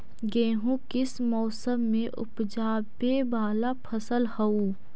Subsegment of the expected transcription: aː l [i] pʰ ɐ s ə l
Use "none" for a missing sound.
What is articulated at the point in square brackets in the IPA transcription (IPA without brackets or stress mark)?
a